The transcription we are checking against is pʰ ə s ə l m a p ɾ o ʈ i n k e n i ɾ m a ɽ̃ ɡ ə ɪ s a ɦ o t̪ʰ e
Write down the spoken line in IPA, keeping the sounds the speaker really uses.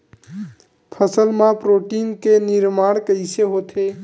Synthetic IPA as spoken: pʰ ə s ə l m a p ɾ o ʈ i n k e n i ɾ m a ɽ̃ k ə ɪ s e ɦ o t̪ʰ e